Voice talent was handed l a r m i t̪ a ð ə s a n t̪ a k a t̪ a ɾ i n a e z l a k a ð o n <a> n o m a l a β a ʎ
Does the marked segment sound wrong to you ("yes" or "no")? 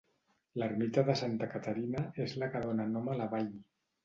no